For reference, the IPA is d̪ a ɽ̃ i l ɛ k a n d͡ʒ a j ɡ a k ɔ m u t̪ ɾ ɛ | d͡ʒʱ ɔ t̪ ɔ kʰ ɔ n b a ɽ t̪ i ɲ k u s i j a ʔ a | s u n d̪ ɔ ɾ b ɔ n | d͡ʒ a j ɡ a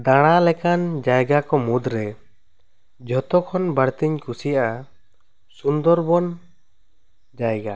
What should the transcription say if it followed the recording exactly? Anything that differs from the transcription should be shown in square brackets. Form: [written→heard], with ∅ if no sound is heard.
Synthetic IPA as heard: d̪ a ɽ̃ [i→a] l ɛ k a n d͡ʒ a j ɡ a k ɔ m u [t̪→d̪] ɾ ɛ | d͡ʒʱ ɔ t̪ ɔ kʰ ɔ n b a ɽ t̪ i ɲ k u s i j a ʔ a | s u n d̪ ɔ ɾ b ɔ n | d͡ʒ a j ɡ a

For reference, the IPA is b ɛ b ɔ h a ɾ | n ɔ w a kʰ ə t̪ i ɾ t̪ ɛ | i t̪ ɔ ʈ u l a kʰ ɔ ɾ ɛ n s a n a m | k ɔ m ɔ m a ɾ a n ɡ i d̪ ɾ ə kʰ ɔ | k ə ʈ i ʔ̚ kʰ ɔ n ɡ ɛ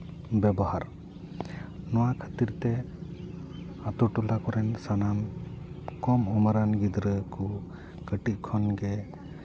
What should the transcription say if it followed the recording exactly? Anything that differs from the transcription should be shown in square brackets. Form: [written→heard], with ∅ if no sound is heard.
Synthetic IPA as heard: b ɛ b ɔ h a ɾ | n ɔ w a kʰ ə t̪ i ɾ t̪ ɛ | [i→a] t̪ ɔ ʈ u l a [kʰ→k] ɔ ɾ ɛ n s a n a m | k ɔ m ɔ m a ɾ a n ɡ i d̪ ɾ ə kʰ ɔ | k ə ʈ i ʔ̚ kʰ ɔ n ɡ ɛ

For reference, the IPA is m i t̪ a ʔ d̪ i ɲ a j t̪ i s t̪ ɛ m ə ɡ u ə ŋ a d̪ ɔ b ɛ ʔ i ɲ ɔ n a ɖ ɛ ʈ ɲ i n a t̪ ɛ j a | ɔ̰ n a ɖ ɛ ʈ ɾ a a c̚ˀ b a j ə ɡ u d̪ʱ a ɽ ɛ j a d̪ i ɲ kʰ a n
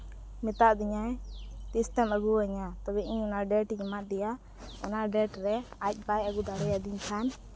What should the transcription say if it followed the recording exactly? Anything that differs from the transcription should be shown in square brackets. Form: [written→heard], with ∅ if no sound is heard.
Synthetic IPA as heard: m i t̪ a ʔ d̪ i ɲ a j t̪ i s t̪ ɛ m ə ɡ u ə [ŋ→ɲ] a [d̪→t̪] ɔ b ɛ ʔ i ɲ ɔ n a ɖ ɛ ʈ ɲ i [n→m] a [t̪→d̪] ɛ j a | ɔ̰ n a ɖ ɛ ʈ ɾ [a→ɛ] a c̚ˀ b a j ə ɡ u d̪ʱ a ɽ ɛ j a d̪ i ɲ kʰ a n

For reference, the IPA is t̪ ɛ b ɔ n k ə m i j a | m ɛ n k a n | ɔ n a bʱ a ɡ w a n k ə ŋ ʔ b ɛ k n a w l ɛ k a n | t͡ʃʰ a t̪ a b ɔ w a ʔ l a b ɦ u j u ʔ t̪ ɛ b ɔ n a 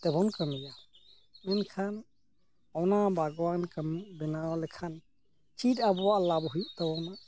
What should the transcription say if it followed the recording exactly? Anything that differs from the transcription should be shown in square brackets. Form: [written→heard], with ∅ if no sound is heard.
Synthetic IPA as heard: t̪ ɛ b ɔ n k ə m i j a | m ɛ n [k→kʰ] a n | ɔ n a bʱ a ɡ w a n k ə [ŋ→m] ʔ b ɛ [k→∅] n a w l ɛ [k→kʰ] a n | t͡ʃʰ [a→i] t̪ a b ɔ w a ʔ l a b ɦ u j u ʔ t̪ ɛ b ɔ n a

